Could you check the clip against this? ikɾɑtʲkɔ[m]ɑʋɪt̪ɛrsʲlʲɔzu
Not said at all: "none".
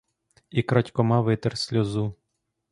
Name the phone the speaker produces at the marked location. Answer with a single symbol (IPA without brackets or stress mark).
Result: m